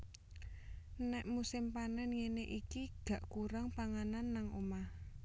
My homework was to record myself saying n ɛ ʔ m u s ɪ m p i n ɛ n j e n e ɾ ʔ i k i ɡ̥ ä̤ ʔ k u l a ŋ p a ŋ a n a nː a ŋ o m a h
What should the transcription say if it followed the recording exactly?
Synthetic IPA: n ɛ ʔ m u s ɪ m p a n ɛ n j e n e ʔ i k i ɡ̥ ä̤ ʔ k u ɾ a ŋ p a ŋ a n a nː a ŋ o m a h